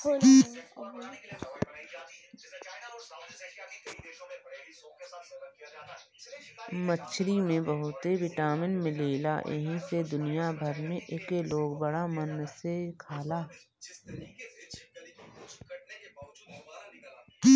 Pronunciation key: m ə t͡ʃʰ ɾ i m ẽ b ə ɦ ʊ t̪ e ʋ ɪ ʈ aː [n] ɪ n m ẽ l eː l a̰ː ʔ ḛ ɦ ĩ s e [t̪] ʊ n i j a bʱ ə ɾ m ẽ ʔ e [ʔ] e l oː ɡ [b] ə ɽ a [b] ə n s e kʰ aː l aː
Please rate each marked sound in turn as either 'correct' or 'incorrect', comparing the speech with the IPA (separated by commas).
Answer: incorrect, incorrect, incorrect, correct, incorrect